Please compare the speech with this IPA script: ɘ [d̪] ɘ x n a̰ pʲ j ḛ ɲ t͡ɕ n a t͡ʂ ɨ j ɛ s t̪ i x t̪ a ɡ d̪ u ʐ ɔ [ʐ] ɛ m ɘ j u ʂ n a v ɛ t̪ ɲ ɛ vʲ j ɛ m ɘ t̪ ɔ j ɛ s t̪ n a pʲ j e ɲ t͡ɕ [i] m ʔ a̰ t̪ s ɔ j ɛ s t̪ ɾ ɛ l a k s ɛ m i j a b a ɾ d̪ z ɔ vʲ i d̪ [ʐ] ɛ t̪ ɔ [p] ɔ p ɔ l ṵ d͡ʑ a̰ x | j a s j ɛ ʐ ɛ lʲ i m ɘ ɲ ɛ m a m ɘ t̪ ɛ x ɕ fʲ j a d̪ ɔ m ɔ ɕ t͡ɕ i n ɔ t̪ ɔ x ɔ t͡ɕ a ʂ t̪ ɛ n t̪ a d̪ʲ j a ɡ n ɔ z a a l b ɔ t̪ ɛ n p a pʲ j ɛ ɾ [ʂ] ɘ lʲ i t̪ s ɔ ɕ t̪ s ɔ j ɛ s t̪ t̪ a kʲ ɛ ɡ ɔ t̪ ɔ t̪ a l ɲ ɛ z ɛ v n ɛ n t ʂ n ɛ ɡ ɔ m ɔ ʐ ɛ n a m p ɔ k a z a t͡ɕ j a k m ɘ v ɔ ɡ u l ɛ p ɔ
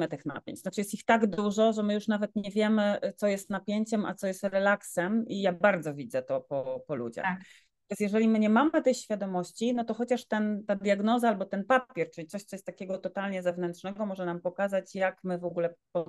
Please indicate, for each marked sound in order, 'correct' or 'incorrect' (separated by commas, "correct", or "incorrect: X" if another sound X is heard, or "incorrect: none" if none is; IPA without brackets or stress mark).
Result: incorrect: t̪, correct, incorrect: ɛ, incorrect: z, correct, incorrect: t͡ʂ